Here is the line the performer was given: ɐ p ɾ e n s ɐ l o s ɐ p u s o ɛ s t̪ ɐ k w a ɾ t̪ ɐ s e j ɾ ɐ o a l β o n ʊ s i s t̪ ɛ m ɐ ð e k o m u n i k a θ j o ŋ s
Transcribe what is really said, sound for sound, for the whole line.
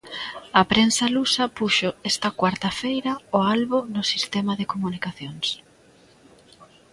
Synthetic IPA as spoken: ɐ p ɾ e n s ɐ l u s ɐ p u ʃ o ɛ s t̪ ɐ k w a ɾ t̪ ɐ f e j ɾ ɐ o a l β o n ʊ s i s t̪ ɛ m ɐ ð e k o m u n i k a θ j o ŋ s